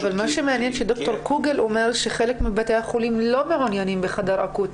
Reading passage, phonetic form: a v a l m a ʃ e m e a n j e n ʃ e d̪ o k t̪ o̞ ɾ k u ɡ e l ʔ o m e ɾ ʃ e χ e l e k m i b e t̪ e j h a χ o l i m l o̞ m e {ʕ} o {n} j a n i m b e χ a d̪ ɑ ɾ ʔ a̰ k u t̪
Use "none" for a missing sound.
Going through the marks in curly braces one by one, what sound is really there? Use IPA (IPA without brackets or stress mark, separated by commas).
ʕ, n